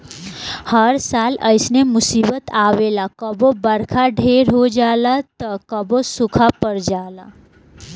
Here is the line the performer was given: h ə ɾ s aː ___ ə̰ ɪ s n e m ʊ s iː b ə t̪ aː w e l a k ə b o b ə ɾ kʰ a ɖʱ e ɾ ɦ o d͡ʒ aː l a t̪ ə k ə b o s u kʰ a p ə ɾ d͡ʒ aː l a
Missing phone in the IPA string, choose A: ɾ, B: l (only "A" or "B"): B